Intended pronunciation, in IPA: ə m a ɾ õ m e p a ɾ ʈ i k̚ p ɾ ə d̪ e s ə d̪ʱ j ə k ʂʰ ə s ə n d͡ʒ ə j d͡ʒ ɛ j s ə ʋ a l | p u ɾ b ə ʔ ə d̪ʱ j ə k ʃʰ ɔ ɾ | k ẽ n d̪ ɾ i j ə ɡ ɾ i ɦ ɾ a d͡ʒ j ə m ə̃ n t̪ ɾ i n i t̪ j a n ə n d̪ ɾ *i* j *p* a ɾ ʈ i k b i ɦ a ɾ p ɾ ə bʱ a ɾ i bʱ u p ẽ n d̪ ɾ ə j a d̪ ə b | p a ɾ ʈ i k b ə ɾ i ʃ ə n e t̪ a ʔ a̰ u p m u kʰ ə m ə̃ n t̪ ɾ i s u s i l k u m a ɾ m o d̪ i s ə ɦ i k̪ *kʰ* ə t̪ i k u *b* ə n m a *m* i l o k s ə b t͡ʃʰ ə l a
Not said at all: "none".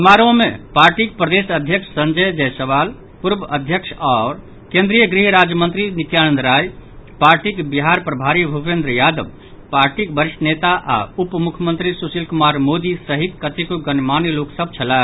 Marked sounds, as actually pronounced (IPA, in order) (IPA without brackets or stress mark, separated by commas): a, p, k, ɡ, n